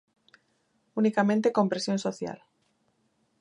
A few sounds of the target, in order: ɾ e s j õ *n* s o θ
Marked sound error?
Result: no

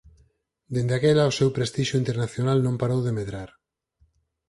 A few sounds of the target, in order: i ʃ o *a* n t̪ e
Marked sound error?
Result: yes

